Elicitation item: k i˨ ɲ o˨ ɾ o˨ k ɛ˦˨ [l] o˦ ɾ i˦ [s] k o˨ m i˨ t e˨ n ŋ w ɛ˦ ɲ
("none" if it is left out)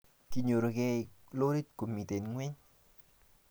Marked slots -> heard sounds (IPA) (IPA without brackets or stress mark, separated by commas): l, t